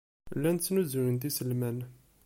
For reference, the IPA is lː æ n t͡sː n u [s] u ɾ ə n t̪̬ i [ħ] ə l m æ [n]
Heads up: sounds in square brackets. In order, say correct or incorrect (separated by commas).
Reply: incorrect, incorrect, correct